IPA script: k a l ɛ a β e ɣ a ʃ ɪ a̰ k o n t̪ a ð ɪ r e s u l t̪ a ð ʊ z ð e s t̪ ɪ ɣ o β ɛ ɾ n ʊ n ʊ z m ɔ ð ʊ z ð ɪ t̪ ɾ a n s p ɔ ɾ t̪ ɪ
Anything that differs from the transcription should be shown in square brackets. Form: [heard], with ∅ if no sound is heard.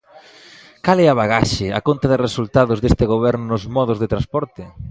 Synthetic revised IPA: k a l ɛ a β [a] ɣ a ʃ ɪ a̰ k o n t̪ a ð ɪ r e s u l t̪ a ð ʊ z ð e s t̪ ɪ ɣ o β ɛ ɾ n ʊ n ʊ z m ɔ ð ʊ z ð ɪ t̪ ɾ a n s p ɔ ɾ t̪ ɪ